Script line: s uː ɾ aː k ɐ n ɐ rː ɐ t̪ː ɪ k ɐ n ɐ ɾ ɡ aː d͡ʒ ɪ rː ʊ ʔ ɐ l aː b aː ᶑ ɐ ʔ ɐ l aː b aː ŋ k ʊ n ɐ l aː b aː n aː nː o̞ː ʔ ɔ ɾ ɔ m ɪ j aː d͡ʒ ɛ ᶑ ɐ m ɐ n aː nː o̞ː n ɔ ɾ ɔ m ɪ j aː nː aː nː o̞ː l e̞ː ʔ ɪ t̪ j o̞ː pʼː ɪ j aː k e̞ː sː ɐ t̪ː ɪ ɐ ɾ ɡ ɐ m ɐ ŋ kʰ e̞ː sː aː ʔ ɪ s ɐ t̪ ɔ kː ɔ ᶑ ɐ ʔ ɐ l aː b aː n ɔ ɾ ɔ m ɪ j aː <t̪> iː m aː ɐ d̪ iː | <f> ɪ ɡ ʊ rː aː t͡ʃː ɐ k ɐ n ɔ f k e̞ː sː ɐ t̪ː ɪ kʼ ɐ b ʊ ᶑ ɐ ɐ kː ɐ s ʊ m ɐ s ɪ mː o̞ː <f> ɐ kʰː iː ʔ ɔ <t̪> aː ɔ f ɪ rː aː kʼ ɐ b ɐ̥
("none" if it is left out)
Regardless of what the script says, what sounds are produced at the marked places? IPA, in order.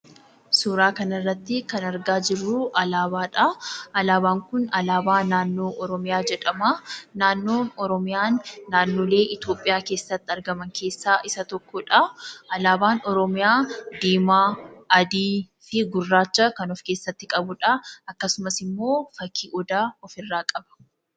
d̪, f, f, d̪

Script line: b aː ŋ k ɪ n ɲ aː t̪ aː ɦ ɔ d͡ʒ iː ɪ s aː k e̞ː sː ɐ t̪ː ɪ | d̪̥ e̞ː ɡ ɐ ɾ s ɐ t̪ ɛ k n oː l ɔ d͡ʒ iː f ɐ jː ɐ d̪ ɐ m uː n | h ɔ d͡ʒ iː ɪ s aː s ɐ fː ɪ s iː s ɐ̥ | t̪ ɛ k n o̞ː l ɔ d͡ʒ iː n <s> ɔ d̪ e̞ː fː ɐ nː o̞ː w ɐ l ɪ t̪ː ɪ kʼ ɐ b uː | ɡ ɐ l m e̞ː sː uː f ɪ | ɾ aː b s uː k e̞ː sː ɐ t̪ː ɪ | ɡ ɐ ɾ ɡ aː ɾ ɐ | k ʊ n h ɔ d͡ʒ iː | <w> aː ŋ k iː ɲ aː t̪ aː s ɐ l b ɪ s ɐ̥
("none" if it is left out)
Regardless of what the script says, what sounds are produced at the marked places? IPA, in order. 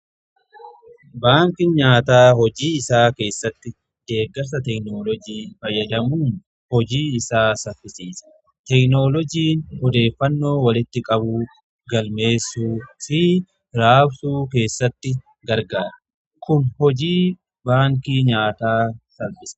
h, b

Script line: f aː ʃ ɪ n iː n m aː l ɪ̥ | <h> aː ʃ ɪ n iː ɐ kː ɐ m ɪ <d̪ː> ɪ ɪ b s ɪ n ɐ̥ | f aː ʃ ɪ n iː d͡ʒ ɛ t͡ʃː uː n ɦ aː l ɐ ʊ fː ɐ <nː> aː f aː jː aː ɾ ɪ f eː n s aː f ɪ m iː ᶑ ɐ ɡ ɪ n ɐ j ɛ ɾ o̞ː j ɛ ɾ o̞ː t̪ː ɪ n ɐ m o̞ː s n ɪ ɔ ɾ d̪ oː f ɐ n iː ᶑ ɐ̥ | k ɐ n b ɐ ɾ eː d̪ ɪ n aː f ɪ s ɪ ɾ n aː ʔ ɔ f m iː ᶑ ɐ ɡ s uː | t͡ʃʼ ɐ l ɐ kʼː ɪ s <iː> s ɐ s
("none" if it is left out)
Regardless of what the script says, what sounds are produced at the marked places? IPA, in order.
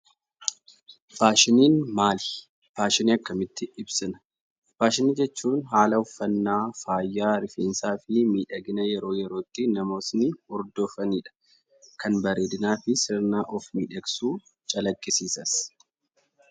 f, t̪ː, nː, iː

